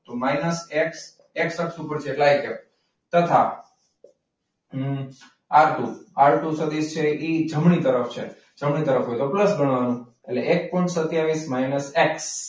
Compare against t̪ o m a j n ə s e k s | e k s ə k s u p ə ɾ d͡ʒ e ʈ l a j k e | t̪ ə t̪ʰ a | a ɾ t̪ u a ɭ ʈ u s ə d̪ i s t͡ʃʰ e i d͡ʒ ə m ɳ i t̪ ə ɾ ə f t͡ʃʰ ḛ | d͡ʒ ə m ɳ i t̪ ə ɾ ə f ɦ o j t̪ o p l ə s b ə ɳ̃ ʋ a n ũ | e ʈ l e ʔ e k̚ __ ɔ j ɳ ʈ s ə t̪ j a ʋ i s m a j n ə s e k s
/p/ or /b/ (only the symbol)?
p